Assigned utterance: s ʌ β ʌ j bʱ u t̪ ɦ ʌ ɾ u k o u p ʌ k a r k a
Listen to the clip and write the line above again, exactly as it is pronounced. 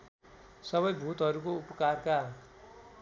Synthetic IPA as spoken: s ʌ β ʌ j bʱ u t̪ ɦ ʌ ɾ u k o u p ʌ k a r k a